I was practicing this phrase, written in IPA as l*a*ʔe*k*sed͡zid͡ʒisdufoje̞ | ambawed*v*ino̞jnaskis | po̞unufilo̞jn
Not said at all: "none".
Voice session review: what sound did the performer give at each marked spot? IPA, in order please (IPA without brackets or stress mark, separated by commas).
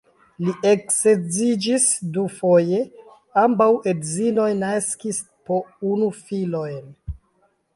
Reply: i, k, z